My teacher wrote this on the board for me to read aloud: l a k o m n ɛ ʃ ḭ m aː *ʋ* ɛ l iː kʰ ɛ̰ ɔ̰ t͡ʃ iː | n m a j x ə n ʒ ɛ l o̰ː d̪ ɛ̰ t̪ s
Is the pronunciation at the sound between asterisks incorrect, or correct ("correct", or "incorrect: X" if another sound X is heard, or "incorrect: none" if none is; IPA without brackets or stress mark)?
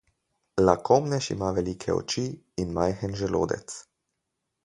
correct